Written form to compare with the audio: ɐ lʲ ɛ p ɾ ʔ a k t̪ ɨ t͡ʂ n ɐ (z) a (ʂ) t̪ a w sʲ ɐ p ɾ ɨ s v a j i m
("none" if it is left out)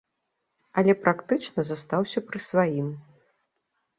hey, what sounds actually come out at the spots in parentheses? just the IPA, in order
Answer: z, s

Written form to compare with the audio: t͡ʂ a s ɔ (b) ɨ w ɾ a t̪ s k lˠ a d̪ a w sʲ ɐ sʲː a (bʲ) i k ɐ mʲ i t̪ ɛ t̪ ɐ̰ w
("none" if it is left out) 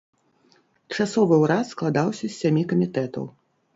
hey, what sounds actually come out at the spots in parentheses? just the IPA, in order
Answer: v, mʲ

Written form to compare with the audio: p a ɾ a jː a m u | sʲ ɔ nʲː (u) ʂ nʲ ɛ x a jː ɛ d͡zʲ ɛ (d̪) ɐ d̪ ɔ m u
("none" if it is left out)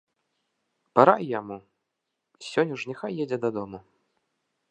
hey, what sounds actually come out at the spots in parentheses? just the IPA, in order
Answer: u, d̪

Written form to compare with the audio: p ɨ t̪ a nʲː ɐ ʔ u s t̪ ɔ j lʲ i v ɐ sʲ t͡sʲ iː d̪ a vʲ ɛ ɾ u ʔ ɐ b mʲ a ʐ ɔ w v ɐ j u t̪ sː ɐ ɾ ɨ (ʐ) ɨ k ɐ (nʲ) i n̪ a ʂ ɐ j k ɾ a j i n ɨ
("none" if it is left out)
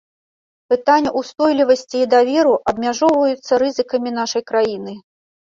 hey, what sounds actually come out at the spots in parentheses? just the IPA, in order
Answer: z, mʲ

